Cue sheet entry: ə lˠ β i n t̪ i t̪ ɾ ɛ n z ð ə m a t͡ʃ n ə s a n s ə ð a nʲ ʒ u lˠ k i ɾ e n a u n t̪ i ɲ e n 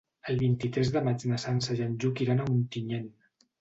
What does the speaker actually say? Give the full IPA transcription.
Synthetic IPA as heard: ə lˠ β i n t̪ i t̪ ɾ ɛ z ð ə m a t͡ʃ n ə s a n s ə ʒ a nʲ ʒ u k i ɾ a n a u n t̪ i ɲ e n